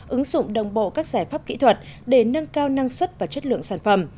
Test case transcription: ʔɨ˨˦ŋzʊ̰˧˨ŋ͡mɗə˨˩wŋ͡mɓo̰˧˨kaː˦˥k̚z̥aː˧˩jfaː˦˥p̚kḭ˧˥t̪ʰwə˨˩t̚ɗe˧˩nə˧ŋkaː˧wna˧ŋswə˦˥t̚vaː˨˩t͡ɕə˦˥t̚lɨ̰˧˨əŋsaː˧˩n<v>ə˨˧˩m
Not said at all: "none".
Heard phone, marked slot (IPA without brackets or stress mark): f